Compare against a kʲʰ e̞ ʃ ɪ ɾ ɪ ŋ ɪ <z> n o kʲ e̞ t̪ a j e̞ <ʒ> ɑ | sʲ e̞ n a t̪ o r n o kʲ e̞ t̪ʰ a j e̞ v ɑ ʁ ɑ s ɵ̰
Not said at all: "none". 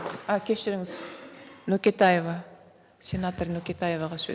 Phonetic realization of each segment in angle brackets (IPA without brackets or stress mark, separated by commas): z, v